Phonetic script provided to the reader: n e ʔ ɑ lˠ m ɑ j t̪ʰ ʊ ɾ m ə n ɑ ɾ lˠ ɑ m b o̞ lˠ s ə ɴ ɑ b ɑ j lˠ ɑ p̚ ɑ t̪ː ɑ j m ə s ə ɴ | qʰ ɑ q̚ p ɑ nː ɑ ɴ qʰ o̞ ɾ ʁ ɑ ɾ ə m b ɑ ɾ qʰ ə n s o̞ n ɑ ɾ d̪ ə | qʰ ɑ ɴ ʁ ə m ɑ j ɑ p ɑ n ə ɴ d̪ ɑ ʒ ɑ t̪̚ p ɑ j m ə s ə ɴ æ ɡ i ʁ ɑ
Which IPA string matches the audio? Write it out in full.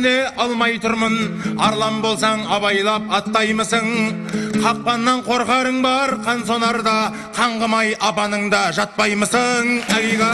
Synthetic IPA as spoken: n e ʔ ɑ lˠ m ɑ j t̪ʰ ʊ ɾ m ə n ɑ ɾ lˠ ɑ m b o̞ lˠ s ɑ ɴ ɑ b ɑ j lˠ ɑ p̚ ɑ t̪ː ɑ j m ə s ə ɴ | qʰ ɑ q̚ p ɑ nː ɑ ɴ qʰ o̞ ɾ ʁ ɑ ɾ ə ɴ b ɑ ɾ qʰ ɑ n s o̞ n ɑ ɾ d̪ ɑ | qʰ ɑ ɴ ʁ ə m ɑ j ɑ p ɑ n ə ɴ d̪ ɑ ʒ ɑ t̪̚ p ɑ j m ə s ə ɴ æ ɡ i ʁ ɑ